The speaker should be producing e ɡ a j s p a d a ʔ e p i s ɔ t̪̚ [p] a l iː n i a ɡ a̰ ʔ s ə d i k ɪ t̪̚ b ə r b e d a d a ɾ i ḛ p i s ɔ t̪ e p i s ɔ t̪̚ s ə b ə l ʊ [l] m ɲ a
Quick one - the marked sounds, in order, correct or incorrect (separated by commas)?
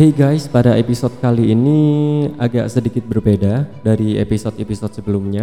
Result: incorrect, incorrect